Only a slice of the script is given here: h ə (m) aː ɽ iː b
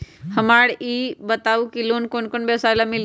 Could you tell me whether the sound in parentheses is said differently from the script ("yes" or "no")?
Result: no